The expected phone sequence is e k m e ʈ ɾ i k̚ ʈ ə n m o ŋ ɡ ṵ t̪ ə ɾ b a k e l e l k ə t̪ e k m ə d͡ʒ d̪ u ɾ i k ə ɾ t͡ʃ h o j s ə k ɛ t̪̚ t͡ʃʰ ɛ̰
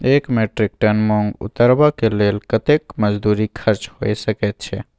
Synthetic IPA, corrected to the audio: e k m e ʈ ɾ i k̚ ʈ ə n m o ŋ ɡ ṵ t̪ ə ɾ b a k e l e l k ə t̪ e k m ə d͡ʒ d̪ u ɾ i kʰ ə ɾ t͡ʃ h o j s ə k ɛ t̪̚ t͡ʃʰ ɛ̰